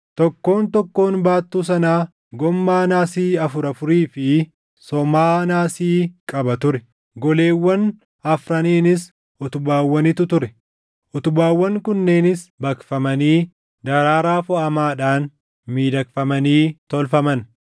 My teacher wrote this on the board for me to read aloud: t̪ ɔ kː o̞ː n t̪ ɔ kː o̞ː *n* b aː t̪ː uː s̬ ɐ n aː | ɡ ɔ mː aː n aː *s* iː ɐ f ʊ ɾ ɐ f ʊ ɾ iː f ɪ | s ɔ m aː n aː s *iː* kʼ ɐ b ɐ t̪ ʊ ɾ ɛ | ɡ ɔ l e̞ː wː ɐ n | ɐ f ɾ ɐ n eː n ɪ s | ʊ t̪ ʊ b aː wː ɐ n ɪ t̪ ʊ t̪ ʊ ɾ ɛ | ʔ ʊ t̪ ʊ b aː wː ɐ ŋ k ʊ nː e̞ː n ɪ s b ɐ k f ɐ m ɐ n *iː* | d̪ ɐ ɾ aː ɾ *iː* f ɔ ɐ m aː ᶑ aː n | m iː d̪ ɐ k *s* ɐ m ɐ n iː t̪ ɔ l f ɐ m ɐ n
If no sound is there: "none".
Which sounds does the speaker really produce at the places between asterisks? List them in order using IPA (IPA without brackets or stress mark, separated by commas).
n, s, iː, iː, aː, f